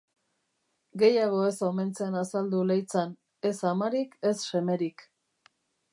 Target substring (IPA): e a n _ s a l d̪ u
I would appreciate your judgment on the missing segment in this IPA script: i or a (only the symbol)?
a